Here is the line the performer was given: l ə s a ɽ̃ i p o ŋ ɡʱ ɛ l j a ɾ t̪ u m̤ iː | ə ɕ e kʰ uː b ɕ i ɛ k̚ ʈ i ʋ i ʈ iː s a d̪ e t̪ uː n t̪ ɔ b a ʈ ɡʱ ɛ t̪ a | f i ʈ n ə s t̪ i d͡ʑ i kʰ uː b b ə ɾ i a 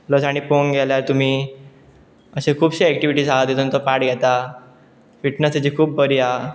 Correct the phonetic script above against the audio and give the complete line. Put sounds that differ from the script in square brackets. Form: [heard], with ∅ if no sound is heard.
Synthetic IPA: l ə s a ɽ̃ i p o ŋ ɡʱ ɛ l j a ɾ t̪ u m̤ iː | ə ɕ e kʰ uː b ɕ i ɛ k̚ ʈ i ʋ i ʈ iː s a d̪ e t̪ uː n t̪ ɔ [p] a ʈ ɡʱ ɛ t̪ a | f i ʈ n ə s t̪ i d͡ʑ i kʰ uː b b ə ɾ i a

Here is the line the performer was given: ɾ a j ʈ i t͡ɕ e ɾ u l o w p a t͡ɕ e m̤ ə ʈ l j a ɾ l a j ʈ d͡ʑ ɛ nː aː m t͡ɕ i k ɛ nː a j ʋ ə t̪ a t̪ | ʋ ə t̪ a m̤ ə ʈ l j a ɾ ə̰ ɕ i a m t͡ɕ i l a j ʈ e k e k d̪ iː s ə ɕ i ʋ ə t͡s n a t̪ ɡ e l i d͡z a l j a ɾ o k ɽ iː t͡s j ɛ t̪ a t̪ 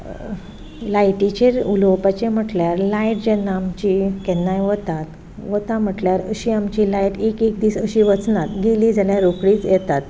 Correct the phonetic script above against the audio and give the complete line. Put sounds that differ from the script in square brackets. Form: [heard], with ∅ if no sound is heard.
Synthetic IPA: [l] a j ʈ i t͡ɕ e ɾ u l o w p a t͡ɕ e m̤ ə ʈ l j a ɾ l a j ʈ d͡ʑ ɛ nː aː m t͡ɕ i k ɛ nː a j ʋ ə t̪ a t̪ | ʋ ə t̪ a m̤ ə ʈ l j a ɾ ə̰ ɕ i a m t͡ɕ i l a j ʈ e k e k d̪ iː s ə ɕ i ʋ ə t͡s n a t̪ ɡ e l i d͡z a l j a ɾ o k ɽ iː t͡s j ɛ t̪ a t̪

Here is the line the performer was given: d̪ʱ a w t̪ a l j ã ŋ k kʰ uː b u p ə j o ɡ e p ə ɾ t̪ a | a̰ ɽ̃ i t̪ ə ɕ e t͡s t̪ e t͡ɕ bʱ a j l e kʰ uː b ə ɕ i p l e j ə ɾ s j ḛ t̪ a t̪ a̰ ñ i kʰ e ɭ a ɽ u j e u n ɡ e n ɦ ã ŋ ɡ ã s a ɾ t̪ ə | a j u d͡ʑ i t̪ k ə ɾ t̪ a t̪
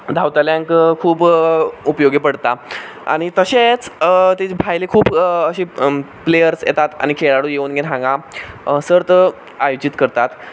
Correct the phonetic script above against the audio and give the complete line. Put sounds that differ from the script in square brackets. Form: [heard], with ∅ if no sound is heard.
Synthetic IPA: d̪ʱ a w t̪ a l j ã ŋ k kʰ uː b u p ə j o ɡ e p ə [ɽ] t̪ a | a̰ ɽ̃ i t̪ ə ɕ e t͡s t̪ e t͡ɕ bʱ a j l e kʰ uː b ə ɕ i p l e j ə ɾ s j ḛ t̪ a t̪ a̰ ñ i kʰ e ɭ a ɽ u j e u n ɡ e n ɦ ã ŋ ɡ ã s [ə] ɾ t̪ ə | a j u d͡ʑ i t̪ k ə ɾ t̪ a t̪

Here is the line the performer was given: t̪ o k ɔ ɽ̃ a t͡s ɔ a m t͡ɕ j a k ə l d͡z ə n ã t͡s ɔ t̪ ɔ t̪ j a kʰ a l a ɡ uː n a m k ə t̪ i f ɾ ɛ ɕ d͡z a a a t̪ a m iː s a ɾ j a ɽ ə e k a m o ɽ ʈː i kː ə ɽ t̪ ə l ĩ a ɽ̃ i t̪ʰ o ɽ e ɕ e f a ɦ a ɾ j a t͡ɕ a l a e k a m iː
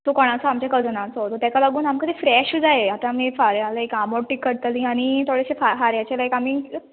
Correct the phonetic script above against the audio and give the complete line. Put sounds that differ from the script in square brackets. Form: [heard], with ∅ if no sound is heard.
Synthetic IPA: t̪ o k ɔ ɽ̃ a t͡s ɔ a m t͡ɕ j a k ə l d͡z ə n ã t͡s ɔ t̪ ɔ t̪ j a [k] a l a ɡ uː n a m k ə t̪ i f ɾ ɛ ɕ d͡z a [e] a t̪ a m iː [f] a ɾ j a [l] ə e k a m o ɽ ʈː i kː ə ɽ t̪ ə l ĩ a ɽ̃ i t̪ʰ o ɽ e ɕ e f a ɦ a ɾ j a t͡ɕ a l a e k a m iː

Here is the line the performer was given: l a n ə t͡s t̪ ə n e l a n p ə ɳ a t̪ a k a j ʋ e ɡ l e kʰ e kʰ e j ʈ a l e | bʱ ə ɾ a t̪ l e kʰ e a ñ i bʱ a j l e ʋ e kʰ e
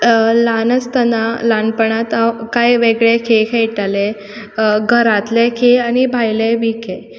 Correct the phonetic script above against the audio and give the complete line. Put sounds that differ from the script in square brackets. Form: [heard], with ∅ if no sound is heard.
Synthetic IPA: l a n ə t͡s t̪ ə n [a] l a n p ə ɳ a t̪ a k a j ʋ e ɡ [ɭ] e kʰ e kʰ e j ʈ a l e | [ɡʱ] ə ɾ a t̪ l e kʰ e a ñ i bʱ a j l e ʋ [i] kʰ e

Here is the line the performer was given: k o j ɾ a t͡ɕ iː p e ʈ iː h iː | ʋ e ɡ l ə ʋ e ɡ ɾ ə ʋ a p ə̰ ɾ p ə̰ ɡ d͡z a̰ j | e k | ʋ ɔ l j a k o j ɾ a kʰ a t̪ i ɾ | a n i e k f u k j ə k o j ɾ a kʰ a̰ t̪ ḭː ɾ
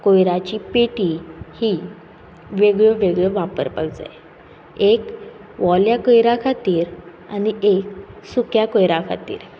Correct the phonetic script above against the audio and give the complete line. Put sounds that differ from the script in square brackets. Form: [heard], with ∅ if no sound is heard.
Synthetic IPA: k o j ɾ a t͡ɕ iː p e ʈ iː h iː | ʋ e ɡ [ɭ] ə ʋ e ɡ [ɭ] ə ʋ a p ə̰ ɾ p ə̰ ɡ d͡z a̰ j | e k | ʋ ɔ l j a k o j ɾ a kʰ a t̪ [iː] ɾ | a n i e k [s] u k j [a] k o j ɾ a kʰ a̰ t̪ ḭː ɾ

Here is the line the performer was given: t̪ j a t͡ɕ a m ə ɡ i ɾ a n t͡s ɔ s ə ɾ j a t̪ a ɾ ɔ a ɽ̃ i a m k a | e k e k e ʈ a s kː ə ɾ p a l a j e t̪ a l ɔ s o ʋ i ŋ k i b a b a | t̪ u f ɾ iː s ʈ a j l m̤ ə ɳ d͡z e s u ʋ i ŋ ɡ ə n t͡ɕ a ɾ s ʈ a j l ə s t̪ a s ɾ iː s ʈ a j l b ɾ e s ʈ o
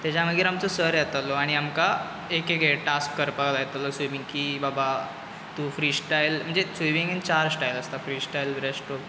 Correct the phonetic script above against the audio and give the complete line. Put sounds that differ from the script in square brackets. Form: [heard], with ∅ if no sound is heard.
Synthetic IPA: t̪ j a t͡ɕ a m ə ɡ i ɾ a [m] t͡s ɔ s ə ɾ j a t̪ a [l] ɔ a ɽ̃ i a m k a | e k e k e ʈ a s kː ə ɾ p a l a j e t̪ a l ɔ s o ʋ i ŋ k i b a b a | t̪ u f ɾ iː s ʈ a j l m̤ ə ɳ d͡z e s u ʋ i ŋ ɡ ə n t͡ɕ a ɾ s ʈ a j l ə s t̪ a [f] ɾ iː s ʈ a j l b ɾ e s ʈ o

